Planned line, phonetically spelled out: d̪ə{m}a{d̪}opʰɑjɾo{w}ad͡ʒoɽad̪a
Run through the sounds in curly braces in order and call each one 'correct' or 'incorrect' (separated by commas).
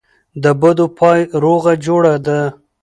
incorrect, correct, incorrect